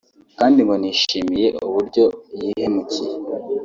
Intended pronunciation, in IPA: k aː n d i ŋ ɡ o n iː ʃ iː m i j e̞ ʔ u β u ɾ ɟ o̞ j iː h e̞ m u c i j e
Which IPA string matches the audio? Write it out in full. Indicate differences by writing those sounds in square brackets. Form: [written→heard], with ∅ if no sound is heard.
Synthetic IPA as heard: k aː n d i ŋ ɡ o n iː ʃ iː m i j e̞ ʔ u β u ɾ ɟ o̞ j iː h e̞ m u c i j e